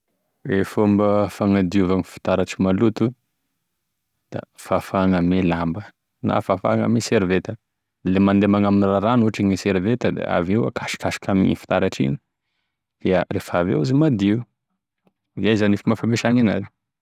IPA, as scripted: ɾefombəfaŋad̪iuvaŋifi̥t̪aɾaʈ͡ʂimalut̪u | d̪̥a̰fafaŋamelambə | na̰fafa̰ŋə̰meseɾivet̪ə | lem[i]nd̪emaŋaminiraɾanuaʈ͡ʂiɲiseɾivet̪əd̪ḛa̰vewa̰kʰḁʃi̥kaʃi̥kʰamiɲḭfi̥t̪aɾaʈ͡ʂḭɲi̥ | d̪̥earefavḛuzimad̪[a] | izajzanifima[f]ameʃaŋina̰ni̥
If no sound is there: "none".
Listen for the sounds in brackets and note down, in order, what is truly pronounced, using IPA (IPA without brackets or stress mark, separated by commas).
a, i, f